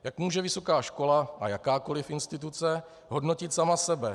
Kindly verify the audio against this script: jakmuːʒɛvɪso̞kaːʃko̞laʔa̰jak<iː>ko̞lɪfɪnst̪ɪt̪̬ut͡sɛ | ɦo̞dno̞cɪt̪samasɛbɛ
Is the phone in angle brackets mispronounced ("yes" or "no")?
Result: yes